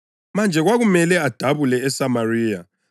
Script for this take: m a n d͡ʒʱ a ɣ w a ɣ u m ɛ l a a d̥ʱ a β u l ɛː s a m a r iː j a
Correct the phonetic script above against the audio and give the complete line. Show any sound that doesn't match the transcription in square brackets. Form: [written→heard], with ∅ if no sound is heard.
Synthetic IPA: m a n d͡ʒʱ [a→ɛ] ɣ w a ɣ u m ɛ l [a→ɛ] a d̥ʱ a β u l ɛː s a m a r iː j a